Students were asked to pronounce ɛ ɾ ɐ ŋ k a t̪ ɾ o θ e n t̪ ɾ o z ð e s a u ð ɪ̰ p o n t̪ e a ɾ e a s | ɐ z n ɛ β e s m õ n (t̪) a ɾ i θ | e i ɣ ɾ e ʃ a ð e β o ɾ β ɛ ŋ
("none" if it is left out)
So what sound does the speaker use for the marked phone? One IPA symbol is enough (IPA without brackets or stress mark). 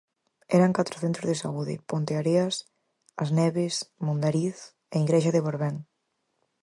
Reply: d̪